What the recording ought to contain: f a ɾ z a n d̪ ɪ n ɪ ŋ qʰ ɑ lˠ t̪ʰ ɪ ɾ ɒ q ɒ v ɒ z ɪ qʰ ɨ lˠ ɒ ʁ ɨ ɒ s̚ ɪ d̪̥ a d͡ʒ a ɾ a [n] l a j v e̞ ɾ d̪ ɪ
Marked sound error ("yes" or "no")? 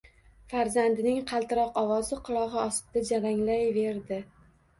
yes